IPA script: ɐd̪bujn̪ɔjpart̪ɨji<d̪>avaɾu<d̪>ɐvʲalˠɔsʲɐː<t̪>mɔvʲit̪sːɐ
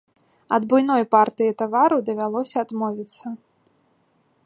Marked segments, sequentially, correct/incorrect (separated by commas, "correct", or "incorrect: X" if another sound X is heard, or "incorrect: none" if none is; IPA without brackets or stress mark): incorrect: t̪, correct, incorrect: d̪